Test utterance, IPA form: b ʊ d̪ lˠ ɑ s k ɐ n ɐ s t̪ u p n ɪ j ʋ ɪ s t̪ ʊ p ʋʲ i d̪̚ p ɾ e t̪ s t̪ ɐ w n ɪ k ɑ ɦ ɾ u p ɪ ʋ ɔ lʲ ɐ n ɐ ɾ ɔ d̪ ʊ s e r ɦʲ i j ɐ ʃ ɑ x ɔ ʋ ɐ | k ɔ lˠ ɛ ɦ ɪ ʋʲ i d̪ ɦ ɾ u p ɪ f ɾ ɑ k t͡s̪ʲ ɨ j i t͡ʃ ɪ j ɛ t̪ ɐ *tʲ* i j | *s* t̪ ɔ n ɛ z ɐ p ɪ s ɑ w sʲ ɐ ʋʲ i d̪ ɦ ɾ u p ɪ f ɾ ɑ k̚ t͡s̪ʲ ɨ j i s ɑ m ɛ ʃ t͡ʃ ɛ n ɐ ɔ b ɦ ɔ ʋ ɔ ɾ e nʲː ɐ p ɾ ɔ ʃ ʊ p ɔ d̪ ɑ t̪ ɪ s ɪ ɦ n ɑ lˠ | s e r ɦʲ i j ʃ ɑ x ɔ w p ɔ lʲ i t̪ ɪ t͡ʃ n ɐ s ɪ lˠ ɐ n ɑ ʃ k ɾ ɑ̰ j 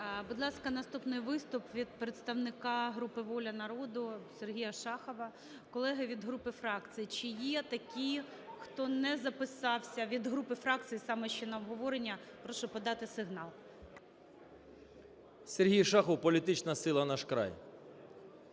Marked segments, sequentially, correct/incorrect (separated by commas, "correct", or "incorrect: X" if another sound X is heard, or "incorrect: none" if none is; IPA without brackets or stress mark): incorrect: kʲ, incorrect: x